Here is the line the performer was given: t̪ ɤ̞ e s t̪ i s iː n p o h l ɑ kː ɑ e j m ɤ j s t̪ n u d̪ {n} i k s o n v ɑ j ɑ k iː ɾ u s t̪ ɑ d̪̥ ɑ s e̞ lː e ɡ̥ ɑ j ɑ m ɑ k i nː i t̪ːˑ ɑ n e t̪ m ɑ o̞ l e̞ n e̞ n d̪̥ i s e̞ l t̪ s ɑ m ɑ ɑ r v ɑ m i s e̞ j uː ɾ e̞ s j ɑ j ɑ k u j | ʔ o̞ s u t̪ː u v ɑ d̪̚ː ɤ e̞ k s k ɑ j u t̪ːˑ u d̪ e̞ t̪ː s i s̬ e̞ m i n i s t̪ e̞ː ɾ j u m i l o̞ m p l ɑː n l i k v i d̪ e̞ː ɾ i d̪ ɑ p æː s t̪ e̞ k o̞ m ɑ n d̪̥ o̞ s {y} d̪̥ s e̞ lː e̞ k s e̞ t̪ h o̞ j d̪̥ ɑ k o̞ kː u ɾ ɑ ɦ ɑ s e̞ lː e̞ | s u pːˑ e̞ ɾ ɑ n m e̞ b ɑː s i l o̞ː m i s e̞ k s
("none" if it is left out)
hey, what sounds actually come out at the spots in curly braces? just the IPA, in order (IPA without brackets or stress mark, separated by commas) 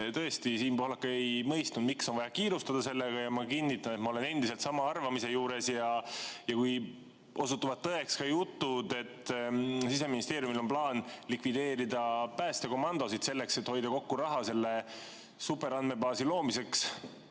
m, i